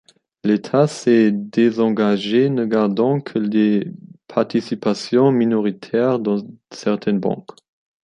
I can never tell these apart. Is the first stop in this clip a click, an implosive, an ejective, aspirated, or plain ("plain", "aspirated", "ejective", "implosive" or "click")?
aspirated